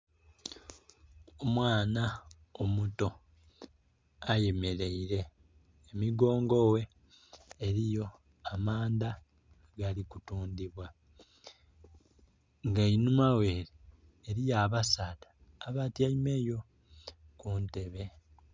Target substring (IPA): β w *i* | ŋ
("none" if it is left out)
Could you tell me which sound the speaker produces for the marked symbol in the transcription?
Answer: a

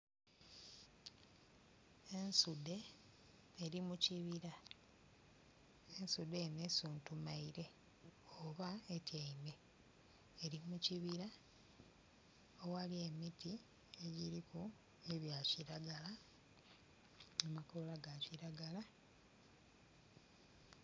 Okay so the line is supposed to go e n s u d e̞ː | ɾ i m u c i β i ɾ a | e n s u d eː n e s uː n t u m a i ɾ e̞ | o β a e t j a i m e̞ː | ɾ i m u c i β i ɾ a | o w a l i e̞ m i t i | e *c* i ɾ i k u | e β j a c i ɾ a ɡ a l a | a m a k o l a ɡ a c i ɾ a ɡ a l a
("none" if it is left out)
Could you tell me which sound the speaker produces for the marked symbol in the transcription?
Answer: ɟ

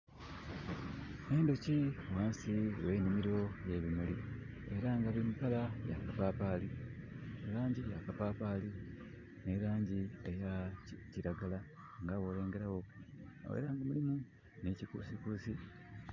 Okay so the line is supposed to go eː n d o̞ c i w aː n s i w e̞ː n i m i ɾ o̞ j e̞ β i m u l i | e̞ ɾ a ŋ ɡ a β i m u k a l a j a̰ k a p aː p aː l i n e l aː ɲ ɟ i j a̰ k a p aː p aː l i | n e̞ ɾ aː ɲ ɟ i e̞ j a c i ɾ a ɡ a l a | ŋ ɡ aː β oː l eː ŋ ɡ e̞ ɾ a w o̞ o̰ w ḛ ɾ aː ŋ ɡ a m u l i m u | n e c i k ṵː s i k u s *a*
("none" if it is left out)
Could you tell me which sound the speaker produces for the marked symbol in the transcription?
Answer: i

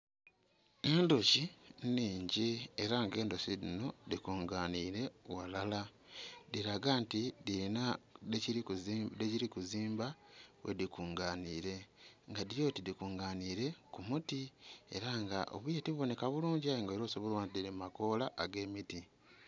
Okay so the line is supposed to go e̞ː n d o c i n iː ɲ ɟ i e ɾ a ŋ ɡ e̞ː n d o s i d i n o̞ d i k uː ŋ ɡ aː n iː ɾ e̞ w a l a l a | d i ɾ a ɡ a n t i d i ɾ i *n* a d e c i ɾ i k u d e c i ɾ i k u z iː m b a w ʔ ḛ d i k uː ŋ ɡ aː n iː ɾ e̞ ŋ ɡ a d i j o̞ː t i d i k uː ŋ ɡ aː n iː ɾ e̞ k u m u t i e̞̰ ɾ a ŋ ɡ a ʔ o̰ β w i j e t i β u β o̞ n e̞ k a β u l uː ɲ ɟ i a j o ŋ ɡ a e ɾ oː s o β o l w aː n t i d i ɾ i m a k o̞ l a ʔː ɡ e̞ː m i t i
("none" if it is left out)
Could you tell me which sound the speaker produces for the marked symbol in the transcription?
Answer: n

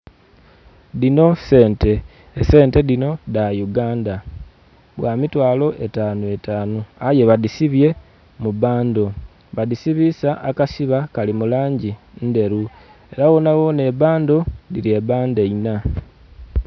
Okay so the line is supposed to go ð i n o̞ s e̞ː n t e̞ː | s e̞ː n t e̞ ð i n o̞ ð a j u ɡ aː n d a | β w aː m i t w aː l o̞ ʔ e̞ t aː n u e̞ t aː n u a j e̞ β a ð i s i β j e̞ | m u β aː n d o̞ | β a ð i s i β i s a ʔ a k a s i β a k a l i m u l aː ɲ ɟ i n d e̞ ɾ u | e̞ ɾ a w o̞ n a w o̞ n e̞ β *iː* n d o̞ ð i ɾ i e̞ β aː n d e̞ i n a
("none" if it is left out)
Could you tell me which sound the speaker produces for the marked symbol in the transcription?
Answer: aː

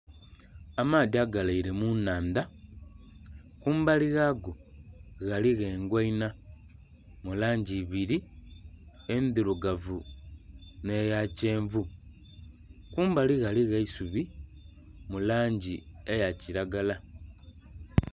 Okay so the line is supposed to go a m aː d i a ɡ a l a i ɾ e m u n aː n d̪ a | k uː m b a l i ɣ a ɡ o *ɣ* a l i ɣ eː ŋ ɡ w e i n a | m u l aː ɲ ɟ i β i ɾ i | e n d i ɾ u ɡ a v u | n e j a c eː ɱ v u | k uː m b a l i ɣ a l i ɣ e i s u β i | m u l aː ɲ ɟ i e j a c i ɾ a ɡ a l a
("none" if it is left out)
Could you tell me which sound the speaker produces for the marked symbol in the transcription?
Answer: ɣ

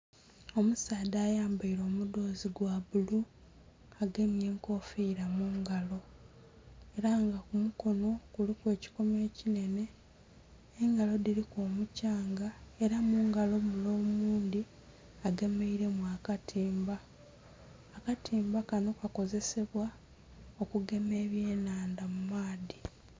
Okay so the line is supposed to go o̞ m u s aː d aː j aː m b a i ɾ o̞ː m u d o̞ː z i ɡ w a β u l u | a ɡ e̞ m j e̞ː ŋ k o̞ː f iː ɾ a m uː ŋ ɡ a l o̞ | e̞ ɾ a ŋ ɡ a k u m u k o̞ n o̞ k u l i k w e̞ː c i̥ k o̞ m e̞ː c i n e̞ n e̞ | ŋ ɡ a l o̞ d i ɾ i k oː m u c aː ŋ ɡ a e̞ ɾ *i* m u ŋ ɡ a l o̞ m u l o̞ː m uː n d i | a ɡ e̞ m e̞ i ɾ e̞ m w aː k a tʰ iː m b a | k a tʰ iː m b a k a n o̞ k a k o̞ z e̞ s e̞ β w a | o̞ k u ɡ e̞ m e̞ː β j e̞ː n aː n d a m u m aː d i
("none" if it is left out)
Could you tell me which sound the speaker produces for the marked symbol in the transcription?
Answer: a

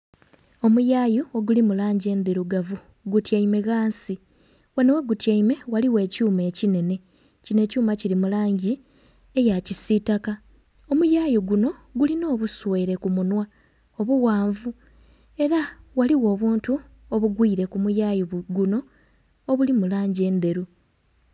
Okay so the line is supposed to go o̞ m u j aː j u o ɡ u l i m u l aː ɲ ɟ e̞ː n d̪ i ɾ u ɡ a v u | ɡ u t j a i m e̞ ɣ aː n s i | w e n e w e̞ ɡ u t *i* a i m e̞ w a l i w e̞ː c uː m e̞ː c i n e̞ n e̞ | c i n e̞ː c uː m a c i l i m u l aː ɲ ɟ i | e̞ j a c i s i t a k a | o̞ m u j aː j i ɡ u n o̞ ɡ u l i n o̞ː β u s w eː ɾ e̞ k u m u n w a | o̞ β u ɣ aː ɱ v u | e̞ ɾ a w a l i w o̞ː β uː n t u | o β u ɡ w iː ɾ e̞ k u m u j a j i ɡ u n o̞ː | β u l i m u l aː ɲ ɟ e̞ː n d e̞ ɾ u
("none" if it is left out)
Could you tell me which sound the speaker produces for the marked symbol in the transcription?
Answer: j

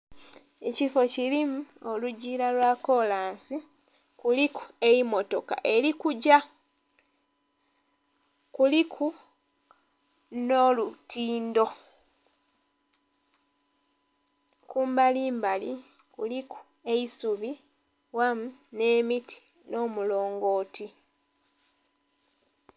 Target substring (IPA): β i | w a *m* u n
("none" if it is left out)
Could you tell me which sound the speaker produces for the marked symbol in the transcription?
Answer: m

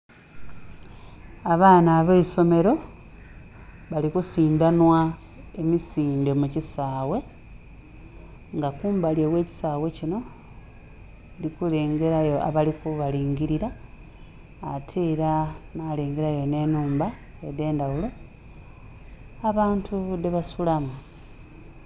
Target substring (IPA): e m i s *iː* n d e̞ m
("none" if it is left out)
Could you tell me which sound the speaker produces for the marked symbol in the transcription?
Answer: iː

